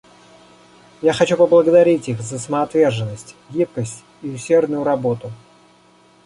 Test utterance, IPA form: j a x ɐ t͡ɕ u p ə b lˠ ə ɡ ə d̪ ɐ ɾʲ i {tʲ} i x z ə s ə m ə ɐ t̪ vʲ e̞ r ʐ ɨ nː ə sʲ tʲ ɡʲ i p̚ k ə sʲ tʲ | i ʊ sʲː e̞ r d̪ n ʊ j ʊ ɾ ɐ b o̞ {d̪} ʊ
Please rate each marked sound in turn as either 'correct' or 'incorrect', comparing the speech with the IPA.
correct, incorrect: t̪

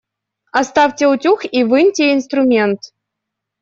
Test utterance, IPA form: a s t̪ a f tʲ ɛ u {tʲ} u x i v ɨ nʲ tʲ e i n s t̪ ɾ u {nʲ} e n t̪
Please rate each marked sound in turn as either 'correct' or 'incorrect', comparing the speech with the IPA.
correct, incorrect: mʲ

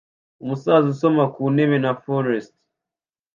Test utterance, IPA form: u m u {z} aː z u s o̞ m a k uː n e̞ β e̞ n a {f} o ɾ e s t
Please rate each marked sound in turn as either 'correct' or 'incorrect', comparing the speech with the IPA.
incorrect: s, correct

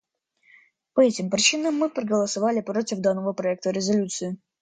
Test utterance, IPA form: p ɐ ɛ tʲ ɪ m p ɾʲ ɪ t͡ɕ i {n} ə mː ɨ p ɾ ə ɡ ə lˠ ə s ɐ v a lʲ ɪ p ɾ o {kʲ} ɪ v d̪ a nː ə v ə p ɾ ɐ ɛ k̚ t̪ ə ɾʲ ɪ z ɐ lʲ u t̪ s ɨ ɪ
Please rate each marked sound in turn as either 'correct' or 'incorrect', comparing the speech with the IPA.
correct, incorrect: tʲ

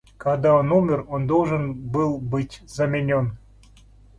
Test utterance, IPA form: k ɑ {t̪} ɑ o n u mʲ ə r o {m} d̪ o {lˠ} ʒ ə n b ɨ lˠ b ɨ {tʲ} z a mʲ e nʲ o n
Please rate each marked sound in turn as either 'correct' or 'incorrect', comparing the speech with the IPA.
incorrect: d̪, incorrect: n, correct, correct

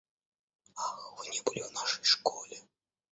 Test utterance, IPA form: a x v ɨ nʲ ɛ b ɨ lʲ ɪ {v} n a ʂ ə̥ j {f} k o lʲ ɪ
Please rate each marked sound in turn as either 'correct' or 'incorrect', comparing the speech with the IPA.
correct, incorrect: ʂ

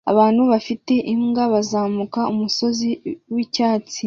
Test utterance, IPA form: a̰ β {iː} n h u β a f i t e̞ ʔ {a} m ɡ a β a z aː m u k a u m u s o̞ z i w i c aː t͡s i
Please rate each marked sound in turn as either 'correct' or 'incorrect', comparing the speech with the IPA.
incorrect: aː, incorrect: i

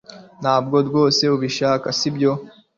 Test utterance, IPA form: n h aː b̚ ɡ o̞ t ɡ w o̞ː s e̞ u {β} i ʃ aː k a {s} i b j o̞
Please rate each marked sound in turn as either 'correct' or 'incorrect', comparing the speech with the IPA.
correct, correct

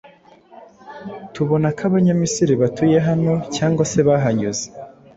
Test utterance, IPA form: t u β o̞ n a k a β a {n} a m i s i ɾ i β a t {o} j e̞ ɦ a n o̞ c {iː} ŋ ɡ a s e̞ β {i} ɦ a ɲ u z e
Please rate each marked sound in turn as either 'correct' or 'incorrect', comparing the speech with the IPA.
incorrect: ɲ, incorrect: u, incorrect: aː, incorrect: a

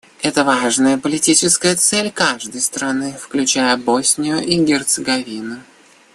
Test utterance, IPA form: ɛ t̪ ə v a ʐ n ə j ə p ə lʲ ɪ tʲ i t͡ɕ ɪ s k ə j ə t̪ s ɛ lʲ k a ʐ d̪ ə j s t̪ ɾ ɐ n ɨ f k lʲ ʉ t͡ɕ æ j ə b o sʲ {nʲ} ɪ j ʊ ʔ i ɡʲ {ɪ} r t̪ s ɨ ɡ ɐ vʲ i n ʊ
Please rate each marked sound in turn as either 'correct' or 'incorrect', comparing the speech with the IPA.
correct, correct

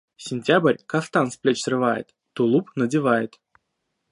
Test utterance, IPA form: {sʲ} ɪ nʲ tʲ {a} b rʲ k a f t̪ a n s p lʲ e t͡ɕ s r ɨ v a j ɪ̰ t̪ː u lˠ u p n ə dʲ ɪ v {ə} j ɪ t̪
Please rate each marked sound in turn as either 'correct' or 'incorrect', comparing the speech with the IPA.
correct, correct, incorrect: a

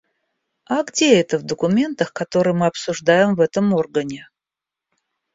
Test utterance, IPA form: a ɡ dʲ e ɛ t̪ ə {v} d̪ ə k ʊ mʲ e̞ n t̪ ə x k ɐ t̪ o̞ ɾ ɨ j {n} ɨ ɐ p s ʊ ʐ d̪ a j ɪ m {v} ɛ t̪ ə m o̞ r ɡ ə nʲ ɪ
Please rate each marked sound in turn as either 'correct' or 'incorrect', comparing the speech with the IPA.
correct, incorrect: m, correct

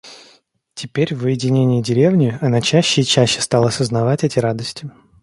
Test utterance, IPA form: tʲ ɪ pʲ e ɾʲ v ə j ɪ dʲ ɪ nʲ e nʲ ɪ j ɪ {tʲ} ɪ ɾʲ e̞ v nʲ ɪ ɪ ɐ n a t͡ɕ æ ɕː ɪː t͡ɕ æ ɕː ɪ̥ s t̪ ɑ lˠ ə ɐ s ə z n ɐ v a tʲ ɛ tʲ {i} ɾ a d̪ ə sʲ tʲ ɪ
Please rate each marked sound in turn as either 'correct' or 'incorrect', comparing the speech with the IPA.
incorrect: dʲ, incorrect: ɪ

